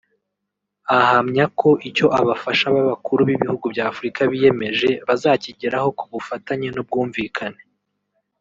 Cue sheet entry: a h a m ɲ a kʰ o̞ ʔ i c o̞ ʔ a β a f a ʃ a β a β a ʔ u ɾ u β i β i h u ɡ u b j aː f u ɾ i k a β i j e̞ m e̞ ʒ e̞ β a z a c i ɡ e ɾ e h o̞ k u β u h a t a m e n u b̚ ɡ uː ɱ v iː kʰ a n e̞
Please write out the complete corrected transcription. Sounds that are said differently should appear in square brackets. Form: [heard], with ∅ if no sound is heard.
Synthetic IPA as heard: a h a m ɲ a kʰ o̞ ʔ i c o̞ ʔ a β a f a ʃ a β a β a [k] u ɾ u β i β i h u ɡ u b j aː f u ɾ i k a β i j e̞ m e̞ ʒ e̞ β a z a c i [ɟ] e ɾ [a] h o̞ k u β u [f] a t a [ɲ] e n u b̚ ɡ uː ɱ v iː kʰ a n e̞